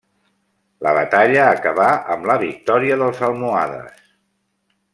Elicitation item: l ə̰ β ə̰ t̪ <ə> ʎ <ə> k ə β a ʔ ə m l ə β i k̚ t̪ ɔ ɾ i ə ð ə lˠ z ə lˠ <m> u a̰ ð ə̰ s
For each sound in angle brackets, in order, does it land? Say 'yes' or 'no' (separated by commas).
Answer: no, no, yes